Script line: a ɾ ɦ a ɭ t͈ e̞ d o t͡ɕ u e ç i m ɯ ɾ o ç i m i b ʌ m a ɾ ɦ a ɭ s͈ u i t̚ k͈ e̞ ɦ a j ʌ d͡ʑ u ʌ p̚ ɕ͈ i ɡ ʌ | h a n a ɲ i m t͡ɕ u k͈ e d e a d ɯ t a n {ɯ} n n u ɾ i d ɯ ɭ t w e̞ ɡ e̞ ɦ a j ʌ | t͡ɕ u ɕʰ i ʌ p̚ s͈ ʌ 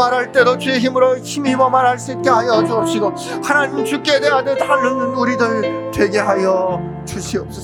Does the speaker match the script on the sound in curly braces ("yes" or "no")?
yes